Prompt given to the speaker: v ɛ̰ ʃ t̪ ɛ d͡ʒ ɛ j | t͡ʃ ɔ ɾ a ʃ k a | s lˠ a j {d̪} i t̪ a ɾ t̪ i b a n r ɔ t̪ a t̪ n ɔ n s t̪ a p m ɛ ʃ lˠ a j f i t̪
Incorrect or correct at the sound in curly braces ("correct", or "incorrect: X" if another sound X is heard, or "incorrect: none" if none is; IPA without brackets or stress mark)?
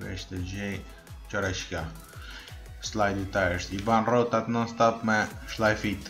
correct